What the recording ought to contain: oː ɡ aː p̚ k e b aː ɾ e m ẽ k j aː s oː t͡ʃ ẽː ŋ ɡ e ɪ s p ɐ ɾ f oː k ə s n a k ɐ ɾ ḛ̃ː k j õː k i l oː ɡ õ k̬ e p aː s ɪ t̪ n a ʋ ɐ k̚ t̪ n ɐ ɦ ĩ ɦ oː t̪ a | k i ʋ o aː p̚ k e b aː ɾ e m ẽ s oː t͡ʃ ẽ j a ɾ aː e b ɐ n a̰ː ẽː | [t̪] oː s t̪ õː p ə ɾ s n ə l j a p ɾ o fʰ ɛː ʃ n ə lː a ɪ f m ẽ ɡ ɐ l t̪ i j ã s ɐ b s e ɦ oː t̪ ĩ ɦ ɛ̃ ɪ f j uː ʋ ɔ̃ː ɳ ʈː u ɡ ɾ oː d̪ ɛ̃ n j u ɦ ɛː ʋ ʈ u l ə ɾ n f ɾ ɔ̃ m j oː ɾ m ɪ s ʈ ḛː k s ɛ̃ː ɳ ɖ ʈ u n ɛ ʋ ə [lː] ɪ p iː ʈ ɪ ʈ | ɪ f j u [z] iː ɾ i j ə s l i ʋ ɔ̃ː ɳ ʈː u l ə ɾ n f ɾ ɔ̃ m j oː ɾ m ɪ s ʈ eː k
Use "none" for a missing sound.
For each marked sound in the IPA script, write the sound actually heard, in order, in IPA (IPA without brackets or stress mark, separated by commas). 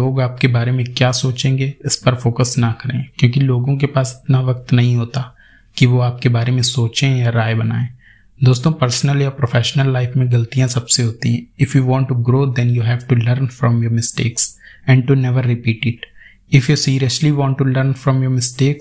d̪, ɾː, s